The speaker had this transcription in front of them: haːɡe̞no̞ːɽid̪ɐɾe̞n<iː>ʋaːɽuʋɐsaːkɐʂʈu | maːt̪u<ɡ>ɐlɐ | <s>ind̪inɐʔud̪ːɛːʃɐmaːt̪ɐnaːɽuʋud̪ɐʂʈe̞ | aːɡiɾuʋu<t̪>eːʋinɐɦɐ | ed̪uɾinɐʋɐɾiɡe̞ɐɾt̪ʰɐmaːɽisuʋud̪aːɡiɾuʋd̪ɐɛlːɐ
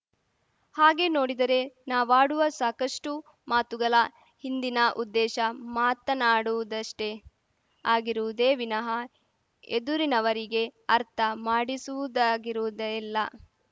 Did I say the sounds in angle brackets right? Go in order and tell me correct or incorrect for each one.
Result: incorrect, correct, incorrect, incorrect

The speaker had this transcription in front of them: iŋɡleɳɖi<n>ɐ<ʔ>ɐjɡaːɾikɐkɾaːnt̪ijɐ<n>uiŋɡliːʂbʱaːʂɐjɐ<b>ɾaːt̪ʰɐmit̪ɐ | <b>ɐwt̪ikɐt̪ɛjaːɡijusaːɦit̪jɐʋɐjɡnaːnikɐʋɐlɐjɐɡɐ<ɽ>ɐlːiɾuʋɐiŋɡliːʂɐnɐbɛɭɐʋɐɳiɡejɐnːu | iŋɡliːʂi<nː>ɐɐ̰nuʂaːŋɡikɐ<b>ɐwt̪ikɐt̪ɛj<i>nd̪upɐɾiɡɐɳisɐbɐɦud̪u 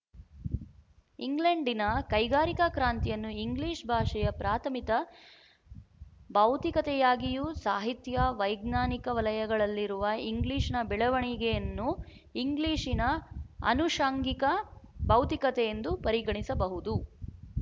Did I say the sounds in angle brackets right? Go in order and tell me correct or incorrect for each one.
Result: correct, incorrect, incorrect, incorrect, correct, incorrect, incorrect, correct, incorrect

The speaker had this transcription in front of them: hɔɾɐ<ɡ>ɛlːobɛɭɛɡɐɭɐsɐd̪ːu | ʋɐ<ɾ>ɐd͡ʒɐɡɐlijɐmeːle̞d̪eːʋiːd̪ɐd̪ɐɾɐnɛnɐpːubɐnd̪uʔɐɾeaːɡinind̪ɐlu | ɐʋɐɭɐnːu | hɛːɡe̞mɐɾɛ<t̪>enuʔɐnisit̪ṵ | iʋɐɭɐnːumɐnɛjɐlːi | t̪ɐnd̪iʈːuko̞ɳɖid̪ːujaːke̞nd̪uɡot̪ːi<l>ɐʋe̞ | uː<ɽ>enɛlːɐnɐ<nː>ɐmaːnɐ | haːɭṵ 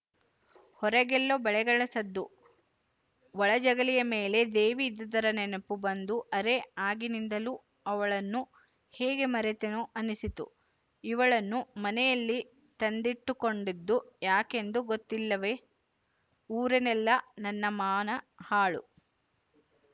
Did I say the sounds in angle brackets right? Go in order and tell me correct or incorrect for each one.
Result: correct, incorrect, correct, incorrect, incorrect, correct

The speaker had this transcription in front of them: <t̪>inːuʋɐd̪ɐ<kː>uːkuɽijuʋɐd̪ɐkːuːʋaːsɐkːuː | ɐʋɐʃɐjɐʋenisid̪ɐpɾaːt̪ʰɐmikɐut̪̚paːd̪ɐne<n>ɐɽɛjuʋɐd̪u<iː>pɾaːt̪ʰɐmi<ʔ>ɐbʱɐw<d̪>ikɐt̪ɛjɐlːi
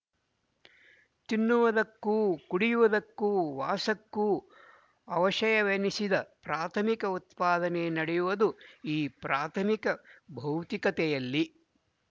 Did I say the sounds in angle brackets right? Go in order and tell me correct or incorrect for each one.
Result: correct, correct, correct, correct, incorrect, incorrect

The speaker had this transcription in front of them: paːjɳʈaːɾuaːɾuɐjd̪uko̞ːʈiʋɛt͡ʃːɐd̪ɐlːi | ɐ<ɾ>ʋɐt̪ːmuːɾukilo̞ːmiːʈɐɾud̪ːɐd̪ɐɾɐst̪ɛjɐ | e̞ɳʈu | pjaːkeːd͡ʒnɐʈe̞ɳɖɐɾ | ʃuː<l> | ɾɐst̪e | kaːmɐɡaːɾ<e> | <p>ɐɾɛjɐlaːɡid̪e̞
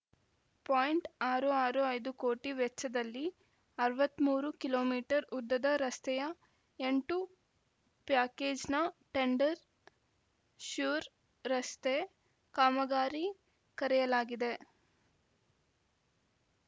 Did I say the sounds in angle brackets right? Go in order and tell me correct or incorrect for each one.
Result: correct, incorrect, incorrect, incorrect

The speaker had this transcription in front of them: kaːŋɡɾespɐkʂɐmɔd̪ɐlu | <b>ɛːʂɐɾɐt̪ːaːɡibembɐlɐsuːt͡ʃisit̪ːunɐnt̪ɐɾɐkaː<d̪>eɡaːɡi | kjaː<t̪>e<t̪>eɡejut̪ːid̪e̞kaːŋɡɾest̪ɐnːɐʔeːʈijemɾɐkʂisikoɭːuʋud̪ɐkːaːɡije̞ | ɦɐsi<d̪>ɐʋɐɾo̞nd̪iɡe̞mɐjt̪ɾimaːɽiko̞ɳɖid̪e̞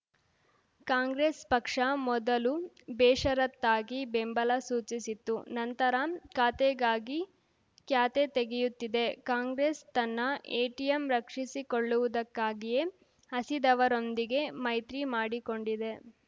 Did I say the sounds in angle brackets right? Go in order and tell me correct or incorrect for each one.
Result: correct, incorrect, correct, correct, correct

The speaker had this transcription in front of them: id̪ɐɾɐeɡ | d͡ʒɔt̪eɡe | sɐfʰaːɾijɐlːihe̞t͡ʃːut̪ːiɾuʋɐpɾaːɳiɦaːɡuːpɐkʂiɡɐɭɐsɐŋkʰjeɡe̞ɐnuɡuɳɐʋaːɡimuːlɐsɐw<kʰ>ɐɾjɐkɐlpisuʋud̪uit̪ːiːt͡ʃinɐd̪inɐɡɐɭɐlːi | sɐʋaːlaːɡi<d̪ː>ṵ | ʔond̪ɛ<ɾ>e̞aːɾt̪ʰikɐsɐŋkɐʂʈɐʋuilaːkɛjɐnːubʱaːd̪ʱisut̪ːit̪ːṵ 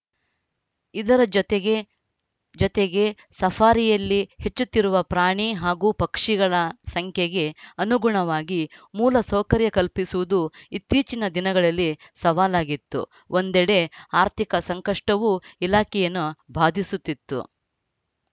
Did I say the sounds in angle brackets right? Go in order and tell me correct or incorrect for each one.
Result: incorrect, incorrect, incorrect

